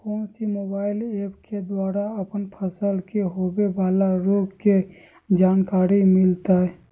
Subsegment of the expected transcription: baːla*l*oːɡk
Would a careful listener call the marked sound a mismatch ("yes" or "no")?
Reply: yes